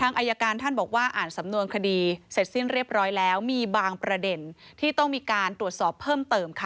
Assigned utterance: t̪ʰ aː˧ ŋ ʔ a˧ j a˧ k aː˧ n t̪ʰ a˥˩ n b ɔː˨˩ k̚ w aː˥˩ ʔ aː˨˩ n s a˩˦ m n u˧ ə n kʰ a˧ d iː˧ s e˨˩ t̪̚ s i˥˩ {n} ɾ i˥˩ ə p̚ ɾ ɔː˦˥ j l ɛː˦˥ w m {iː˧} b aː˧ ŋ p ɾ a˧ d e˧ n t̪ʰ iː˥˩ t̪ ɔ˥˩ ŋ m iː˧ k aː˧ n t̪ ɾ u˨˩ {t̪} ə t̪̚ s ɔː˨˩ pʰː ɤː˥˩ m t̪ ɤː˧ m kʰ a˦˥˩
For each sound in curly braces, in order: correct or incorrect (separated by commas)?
correct, correct, incorrect